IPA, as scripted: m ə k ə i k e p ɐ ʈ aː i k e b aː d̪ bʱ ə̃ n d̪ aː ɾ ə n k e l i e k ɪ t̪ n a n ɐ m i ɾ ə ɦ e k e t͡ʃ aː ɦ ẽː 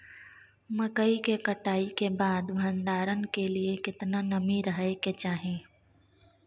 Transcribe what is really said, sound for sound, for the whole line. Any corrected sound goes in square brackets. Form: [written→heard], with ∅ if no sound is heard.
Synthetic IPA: m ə k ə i k e [p→k] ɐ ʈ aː i k e b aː d̪ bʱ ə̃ n d̪ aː ɾ ə n k e l i e k ɪ t̪ n a n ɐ m i ɾ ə ɦ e k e t͡ʃ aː ɦ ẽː